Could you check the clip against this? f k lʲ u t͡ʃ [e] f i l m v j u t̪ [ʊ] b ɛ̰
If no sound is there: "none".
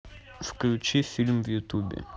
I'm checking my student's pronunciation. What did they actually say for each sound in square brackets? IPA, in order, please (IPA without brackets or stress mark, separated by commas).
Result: i, u